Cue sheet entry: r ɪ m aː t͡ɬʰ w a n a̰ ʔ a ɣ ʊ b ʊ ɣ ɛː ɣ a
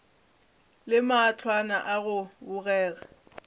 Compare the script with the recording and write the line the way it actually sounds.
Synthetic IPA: l ɪ m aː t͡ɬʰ w a n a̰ ʔ a ɣ ʊ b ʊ ɣ ɛː ɣ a